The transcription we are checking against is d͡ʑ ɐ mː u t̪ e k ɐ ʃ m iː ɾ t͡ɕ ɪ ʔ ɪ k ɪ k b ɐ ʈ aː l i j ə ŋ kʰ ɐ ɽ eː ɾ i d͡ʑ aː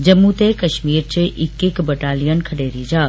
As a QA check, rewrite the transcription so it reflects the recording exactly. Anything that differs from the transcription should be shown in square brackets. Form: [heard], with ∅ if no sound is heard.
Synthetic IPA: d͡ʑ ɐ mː u t̪ e k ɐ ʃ m iː ɾ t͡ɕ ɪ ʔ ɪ k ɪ k b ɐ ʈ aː l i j ə [n] kʰ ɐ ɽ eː ɾ i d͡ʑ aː